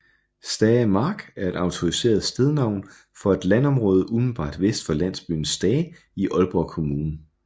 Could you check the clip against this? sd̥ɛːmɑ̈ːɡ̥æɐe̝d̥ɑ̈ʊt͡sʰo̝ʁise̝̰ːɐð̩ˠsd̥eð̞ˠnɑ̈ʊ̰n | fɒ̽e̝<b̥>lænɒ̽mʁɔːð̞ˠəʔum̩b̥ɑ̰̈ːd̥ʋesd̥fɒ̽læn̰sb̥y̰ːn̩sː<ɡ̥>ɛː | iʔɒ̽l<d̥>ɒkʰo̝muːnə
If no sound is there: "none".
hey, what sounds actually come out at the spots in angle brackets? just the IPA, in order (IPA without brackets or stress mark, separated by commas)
d̥, d̥, b̥